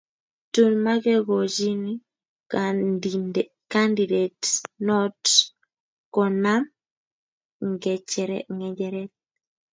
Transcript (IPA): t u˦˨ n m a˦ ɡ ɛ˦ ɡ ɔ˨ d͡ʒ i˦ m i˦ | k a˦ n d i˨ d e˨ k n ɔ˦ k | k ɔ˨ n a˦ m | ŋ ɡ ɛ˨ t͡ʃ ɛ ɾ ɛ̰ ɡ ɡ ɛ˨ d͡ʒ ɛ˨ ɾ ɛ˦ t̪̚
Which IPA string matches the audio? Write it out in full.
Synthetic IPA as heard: t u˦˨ n m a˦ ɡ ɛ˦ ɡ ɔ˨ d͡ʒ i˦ n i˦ | k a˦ n d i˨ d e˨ t n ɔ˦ t | k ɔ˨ n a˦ m | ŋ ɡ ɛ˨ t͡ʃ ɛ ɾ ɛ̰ ŋ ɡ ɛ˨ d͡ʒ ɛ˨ ɾ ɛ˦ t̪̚